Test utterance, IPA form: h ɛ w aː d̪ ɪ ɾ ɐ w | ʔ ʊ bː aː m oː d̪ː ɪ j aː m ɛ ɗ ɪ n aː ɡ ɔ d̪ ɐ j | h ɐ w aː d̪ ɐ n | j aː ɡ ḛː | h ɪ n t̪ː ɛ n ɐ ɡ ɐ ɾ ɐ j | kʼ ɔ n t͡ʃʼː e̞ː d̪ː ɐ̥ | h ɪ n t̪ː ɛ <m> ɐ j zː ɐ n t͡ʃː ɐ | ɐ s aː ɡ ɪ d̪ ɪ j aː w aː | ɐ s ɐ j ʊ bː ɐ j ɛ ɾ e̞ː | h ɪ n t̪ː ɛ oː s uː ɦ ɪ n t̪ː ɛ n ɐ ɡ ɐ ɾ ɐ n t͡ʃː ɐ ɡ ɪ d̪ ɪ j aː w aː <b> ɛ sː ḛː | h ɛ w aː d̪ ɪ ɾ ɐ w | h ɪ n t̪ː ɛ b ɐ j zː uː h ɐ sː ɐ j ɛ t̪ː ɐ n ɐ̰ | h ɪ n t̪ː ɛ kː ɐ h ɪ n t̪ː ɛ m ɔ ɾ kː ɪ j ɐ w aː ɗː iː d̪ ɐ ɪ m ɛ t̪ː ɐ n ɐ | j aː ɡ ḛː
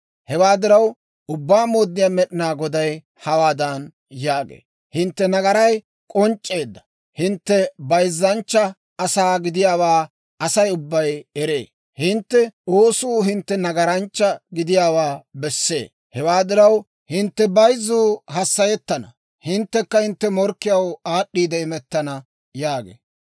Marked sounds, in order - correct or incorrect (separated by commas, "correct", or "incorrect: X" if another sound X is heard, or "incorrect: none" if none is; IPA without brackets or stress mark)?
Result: incorrect: b, correct